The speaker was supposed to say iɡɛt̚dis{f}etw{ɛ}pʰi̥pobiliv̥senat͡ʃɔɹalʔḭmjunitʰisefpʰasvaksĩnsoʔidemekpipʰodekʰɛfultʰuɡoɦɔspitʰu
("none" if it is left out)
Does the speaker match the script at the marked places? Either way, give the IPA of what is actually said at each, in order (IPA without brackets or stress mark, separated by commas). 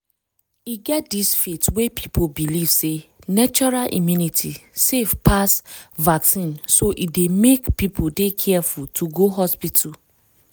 f, e